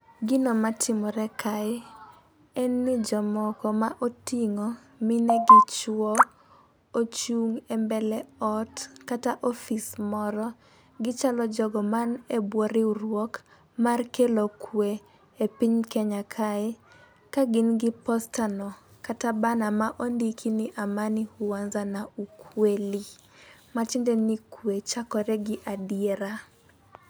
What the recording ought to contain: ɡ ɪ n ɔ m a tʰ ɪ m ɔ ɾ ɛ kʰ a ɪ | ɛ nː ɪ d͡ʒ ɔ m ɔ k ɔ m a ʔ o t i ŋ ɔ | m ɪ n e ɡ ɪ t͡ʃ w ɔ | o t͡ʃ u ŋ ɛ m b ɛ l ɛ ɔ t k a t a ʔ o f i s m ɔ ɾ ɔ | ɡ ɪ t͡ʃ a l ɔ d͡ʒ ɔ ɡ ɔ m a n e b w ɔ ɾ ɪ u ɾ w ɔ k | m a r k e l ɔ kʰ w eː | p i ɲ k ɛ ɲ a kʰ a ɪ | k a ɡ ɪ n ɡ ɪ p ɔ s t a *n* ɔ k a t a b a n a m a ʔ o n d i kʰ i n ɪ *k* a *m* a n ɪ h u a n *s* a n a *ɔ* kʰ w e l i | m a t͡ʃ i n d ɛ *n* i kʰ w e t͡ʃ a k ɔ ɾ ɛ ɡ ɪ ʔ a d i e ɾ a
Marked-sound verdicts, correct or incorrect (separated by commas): correct, incorrect, correct, incorrect, incorrect, correct